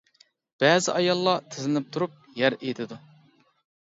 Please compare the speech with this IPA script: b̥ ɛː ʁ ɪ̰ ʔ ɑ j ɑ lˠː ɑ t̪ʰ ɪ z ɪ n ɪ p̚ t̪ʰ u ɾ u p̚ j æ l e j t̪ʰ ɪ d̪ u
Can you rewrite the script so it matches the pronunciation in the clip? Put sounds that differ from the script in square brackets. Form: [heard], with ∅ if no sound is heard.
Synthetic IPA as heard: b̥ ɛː [z] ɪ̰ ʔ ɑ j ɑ lˠː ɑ t̪ʰ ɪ z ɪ n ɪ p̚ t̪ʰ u ɾ u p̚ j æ [ɾ] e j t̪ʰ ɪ d̪ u